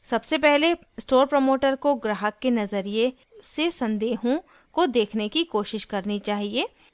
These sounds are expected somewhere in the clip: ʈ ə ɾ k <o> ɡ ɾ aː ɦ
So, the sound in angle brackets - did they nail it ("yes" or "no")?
yes